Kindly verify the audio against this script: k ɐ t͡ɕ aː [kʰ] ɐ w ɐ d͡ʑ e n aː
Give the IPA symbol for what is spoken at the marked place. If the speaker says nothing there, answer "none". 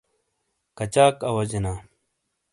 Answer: k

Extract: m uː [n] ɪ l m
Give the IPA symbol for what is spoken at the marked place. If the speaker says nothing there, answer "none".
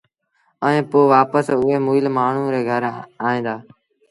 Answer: none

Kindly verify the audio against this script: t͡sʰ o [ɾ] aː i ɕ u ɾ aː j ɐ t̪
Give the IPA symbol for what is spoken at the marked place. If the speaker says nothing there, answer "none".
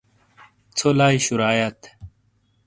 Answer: l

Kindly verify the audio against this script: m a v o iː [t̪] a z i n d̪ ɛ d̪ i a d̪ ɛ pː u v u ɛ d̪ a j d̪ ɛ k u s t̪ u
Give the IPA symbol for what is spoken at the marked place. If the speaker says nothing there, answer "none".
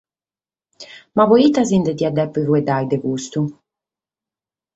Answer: t̪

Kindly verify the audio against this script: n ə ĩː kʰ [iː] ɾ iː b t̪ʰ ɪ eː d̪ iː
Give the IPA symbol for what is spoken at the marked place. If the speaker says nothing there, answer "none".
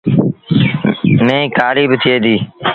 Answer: aː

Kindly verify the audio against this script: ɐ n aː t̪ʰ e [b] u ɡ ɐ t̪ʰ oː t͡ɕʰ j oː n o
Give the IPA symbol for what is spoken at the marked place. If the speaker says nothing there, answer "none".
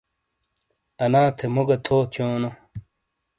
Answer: m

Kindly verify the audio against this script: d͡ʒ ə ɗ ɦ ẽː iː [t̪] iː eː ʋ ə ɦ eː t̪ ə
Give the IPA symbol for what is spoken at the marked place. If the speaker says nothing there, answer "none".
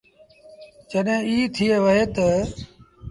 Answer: t̪ʰ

